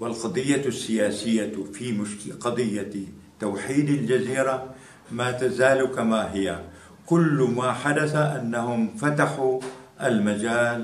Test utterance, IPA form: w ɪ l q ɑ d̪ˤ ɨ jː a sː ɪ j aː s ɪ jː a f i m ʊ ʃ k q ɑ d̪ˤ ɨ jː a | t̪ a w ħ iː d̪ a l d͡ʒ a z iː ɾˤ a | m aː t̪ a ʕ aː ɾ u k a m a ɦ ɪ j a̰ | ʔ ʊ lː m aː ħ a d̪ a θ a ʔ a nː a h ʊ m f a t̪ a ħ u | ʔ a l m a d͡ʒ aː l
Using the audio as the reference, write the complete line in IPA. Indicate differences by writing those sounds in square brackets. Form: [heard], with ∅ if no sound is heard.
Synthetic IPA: w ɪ l q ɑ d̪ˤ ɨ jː a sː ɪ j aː s ɪ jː a f i m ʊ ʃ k q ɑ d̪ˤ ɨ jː a | t̪ a w ħ iː d̪ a l d͡ʒ a z iː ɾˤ a | m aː t̪ a [z] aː [l] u k a m a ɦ ɪ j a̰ | [k] ʊ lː m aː ħ a d̪ a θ a ʔ a nː a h ʊ m f a t̪ a ħ u | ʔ a l m a d͡ʒ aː l